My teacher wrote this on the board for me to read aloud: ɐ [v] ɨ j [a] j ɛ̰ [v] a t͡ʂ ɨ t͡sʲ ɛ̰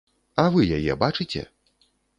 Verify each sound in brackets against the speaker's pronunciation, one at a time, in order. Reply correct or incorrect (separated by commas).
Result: correct, correct, incorrect